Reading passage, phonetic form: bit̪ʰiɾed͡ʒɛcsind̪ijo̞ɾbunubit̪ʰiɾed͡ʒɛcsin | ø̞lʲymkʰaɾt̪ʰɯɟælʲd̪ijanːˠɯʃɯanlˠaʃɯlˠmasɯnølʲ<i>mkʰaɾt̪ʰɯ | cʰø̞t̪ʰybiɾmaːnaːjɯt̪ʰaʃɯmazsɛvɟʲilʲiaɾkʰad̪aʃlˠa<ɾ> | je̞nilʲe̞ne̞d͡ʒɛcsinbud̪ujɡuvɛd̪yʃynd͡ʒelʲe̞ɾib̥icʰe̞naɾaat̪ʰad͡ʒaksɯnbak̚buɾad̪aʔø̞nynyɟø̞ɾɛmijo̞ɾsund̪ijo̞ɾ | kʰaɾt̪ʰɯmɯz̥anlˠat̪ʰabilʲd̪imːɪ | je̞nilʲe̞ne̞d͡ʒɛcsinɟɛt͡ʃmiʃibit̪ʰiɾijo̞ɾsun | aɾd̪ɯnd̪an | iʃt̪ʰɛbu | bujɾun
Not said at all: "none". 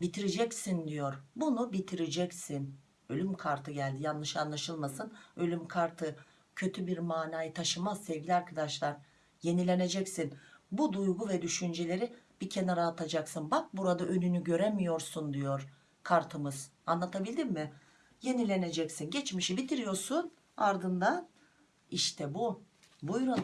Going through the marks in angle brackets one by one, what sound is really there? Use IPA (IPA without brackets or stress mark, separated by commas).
y, ɾ